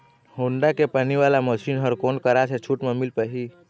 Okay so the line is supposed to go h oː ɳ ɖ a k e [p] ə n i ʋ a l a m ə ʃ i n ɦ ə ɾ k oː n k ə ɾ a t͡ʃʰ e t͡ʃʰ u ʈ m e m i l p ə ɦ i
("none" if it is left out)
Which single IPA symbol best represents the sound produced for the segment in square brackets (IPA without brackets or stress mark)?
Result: p